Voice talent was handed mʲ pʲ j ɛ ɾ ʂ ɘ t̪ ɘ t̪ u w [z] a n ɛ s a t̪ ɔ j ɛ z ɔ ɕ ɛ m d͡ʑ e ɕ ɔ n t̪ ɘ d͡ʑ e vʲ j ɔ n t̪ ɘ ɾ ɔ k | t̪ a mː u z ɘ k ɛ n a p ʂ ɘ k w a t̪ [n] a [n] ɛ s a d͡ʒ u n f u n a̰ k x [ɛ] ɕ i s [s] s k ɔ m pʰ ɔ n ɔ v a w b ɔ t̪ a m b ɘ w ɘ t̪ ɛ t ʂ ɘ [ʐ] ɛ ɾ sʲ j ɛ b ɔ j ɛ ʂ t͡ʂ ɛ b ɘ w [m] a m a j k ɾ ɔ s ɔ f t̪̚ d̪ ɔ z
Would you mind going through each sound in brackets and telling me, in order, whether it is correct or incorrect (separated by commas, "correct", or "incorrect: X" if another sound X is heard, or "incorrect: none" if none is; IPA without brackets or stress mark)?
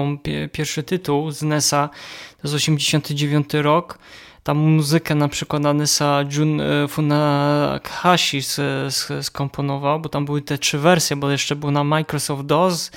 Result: correct, correct, correct, incorrect: a, correct, incorrect: v, incorrect: n